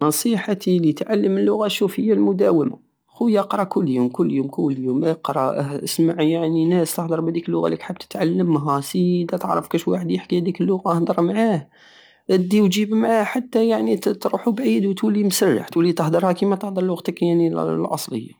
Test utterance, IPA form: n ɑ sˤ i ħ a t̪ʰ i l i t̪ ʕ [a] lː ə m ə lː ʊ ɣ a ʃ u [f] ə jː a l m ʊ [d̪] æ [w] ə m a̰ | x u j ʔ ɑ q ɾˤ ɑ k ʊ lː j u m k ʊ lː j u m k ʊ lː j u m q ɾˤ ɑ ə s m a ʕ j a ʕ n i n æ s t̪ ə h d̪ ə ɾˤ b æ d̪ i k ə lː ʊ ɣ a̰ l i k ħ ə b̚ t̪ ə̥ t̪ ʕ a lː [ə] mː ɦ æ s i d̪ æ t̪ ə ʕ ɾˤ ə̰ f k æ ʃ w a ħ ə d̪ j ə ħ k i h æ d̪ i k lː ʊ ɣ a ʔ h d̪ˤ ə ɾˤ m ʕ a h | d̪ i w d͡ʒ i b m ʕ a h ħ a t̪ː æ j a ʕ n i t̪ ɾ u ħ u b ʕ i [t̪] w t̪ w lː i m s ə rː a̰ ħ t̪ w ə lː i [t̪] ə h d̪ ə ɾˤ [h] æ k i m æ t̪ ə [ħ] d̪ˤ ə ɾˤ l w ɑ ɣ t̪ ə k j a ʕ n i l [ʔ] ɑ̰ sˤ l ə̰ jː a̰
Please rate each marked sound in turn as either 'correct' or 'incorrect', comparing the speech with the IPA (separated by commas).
correct, correct, correct, correct, correct, incorrect, correct, correct, incorrect, correct